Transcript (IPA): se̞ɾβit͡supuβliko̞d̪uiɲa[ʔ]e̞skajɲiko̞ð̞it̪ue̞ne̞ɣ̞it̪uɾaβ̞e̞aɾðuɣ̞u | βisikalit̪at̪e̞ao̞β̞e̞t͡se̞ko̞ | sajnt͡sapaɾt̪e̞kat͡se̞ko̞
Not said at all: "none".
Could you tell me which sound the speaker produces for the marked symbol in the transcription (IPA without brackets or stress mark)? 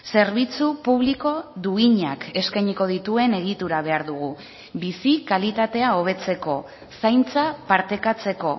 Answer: k